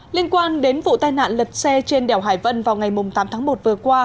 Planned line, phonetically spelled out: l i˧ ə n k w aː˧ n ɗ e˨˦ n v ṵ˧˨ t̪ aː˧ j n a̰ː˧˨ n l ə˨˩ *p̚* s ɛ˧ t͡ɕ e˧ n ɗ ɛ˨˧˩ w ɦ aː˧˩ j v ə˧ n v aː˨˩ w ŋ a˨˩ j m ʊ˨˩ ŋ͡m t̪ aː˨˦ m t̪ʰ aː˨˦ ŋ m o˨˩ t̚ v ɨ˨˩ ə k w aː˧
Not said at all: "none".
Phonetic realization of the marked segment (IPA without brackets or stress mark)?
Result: t̚